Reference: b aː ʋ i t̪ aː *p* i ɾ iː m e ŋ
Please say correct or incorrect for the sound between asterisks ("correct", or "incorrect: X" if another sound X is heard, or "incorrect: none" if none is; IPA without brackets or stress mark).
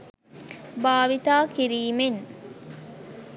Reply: incorrect: k